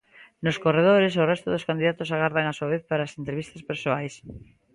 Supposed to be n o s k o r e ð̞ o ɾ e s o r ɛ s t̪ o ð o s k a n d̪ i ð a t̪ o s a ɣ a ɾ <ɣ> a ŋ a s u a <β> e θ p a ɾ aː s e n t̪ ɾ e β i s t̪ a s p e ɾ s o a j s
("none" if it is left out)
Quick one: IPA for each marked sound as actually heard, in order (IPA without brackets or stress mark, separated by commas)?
ð, β